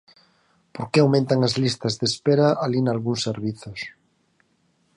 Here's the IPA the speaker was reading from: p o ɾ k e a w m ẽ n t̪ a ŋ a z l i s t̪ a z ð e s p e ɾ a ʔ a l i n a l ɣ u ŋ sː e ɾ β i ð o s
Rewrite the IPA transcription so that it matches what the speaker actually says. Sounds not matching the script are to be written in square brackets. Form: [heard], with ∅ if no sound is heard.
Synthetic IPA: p o ɾ k e a w m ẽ n t̪ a ŋ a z l i s t̪ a z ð e s p e ɾ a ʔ a l i n a l ɣ u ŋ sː e ɾ β i [θ] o s

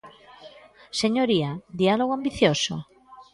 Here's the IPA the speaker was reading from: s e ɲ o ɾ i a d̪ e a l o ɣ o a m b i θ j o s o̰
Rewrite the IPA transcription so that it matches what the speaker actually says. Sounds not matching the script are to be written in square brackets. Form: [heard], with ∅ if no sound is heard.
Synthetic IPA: s e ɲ o ɾ i a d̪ [i] a l o ɣ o a m b i θ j o s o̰

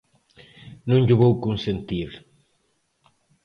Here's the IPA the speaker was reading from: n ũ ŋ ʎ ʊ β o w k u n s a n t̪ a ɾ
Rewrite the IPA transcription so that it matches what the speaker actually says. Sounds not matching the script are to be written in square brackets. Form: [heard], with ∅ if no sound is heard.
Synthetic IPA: n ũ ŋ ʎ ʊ β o w k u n s [e] n t̪ [i] ɾ

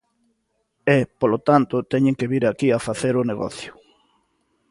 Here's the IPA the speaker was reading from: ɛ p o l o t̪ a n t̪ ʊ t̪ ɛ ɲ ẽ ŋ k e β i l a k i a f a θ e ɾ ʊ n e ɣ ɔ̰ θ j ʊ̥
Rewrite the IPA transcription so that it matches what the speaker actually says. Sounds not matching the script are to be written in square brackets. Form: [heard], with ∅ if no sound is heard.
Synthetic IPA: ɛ p o l o t̪ a n t̪ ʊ t̪ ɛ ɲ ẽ ŋ k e β i [ɾ] a k i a f a θ e ɾ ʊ n e ɣ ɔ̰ θ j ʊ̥

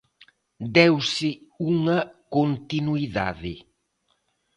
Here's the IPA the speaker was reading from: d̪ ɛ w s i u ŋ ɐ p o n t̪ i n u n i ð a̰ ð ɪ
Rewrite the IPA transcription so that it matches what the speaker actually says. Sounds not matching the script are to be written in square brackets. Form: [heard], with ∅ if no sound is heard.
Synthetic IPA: d̪ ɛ w s [ɪ] u ŋ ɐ [k] o n t̪ i n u [∅] i ð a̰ ð ɪ

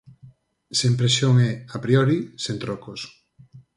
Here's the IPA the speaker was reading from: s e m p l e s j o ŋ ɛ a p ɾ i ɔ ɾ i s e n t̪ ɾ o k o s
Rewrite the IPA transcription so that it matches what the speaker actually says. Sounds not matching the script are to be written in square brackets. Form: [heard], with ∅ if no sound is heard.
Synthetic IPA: s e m p [ɾ] e s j o ŋ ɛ a p ɾ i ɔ ɾ i s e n t̪ ɾ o k o s

